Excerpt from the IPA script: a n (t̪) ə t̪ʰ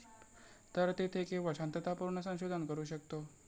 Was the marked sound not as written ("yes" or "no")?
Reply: no